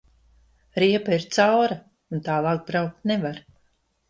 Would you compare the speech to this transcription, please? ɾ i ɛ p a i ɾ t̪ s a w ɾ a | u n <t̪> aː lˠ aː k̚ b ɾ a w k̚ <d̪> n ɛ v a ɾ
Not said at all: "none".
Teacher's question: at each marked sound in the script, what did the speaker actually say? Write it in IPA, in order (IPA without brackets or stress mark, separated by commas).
t̪, t̪